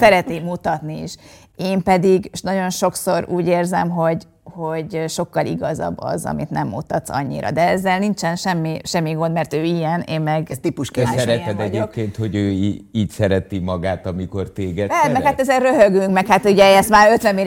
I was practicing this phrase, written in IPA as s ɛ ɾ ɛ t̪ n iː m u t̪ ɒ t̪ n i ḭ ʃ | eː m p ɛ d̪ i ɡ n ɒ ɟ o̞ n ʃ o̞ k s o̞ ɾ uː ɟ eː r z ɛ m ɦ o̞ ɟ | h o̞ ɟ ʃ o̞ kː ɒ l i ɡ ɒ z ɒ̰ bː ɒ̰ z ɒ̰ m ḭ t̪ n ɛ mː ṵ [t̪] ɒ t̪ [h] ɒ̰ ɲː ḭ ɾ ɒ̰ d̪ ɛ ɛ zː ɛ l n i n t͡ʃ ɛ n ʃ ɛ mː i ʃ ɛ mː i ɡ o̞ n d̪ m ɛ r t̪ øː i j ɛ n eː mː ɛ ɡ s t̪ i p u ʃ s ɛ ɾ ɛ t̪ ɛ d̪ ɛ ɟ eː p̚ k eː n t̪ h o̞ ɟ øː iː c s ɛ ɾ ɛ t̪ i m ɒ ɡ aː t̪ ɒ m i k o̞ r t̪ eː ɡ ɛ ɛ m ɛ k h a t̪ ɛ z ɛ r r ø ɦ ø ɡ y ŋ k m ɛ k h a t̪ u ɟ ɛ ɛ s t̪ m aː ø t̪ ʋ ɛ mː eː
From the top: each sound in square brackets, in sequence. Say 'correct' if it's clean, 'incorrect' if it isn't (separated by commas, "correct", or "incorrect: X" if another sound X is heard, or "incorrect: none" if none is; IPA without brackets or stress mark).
correct, incorrect: s